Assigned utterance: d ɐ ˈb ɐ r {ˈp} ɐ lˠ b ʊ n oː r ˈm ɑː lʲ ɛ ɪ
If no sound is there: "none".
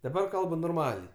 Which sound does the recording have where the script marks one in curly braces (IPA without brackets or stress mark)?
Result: k